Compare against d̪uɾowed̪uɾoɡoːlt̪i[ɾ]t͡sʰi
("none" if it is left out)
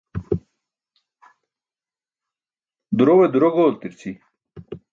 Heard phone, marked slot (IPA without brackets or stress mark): ɾ